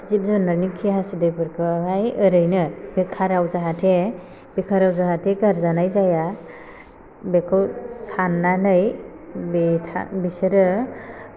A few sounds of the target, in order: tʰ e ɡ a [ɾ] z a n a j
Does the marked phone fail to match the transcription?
no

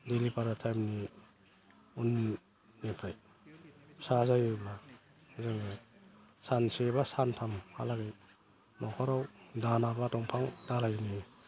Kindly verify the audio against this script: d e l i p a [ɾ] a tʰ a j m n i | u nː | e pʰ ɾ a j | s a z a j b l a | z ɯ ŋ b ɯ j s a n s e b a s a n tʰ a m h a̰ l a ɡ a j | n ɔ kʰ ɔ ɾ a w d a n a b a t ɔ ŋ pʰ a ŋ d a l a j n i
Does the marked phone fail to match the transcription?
no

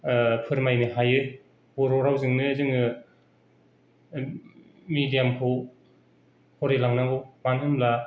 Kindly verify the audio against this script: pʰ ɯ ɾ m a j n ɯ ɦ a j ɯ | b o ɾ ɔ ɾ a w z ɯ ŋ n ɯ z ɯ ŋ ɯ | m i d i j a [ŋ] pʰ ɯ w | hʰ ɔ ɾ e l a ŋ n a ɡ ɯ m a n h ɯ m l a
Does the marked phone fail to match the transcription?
yes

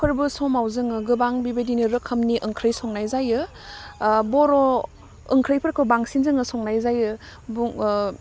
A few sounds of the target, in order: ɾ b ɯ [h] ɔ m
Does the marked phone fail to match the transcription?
yes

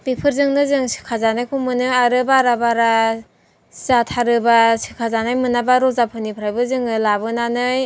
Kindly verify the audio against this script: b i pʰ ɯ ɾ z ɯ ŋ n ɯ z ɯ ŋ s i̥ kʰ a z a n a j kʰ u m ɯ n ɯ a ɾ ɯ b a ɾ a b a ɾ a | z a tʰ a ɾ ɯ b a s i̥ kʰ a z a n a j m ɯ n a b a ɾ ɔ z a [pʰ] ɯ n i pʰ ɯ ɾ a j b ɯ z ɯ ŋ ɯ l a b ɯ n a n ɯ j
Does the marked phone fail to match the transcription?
no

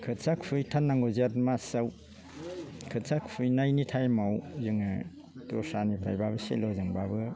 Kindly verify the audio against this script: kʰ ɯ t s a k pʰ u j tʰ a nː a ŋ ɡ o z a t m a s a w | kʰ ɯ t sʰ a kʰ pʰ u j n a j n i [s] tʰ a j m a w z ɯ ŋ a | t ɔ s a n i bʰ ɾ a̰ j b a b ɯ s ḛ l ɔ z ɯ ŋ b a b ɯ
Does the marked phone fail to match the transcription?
yes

